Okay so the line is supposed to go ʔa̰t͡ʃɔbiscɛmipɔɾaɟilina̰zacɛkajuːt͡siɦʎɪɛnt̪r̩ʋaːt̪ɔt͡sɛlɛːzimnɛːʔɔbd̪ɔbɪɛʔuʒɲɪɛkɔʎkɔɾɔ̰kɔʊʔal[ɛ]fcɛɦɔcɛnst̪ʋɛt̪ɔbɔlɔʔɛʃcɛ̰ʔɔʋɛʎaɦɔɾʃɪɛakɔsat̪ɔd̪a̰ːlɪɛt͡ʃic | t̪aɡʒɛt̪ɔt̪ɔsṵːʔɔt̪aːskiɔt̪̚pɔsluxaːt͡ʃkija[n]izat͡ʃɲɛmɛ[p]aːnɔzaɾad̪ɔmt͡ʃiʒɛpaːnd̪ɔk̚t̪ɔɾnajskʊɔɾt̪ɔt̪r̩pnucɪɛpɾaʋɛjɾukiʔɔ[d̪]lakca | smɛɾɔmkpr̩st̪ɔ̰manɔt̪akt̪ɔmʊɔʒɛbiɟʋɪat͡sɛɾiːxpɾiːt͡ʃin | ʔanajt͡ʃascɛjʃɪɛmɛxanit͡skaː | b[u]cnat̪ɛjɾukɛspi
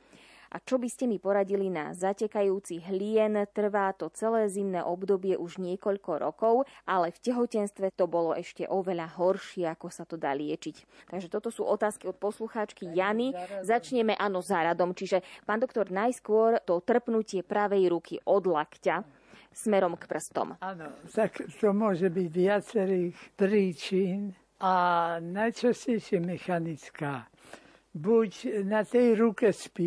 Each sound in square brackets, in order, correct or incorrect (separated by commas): correct, correct, incorrect, correct, correct